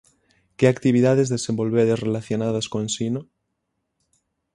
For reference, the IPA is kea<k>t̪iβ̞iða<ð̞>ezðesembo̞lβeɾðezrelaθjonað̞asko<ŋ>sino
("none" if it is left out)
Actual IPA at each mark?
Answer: k, ð̞, n

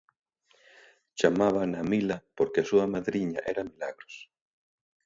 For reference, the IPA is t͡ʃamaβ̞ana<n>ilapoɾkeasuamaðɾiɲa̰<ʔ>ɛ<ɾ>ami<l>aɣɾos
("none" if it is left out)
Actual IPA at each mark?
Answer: m, ʔ, ɾ, l

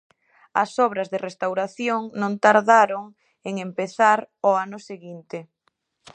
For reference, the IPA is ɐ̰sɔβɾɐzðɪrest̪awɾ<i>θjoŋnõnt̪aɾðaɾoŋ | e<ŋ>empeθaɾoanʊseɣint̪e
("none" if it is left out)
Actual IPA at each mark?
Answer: a, ŋ

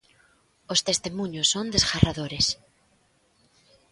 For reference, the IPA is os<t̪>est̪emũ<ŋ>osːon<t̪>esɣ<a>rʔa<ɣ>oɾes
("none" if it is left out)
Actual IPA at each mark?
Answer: t̪, ɲ, d̪, a, ð

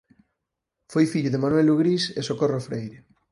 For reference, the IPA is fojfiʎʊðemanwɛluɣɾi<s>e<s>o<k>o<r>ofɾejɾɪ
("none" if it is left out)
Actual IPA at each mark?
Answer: s, s, k, r

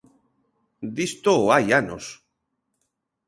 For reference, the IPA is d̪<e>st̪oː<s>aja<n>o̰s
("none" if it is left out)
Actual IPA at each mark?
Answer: i, none, n

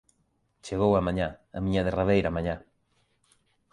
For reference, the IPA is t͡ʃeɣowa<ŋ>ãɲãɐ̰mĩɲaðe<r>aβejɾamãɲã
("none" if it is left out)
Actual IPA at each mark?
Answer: m, r

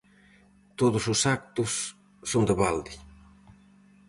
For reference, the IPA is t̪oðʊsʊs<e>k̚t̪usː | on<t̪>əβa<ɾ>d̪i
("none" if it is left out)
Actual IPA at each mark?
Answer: a, d̪, l

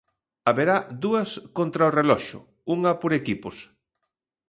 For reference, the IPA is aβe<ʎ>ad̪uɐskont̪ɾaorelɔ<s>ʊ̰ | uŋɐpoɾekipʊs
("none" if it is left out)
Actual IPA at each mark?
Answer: ɾ, ʃ

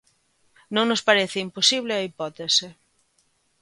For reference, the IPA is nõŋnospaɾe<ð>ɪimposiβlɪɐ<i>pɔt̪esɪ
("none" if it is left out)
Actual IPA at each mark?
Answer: θ, i

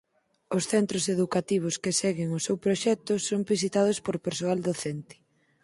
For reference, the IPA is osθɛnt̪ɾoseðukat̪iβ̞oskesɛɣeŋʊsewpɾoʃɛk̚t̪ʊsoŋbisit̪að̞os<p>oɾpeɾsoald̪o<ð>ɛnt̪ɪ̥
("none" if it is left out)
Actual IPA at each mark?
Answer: p, θ

